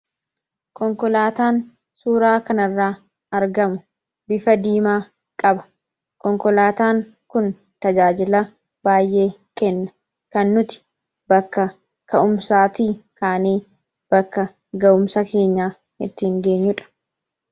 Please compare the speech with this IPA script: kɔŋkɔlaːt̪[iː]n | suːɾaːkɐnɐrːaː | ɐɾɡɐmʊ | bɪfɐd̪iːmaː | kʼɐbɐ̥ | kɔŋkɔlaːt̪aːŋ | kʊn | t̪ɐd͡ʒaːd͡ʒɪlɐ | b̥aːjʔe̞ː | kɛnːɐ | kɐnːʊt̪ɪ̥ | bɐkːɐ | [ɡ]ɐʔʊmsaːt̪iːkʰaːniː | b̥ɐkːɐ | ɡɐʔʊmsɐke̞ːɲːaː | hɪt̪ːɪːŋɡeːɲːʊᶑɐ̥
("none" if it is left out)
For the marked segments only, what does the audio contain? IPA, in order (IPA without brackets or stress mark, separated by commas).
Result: aː, k